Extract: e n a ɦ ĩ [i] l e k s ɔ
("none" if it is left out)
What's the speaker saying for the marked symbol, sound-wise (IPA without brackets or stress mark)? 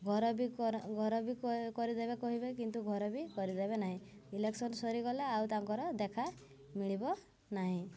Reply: i